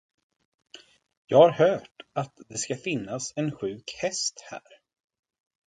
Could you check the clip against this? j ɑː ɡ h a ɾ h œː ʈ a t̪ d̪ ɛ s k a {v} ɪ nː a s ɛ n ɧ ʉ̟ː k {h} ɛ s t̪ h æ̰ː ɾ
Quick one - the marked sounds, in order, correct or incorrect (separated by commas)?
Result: incorrect, correct